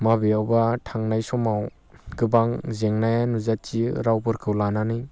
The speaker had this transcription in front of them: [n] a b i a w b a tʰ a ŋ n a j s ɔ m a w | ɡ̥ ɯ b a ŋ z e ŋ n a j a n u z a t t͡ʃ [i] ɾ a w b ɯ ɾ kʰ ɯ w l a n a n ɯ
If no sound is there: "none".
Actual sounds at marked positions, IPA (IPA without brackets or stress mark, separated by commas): m, i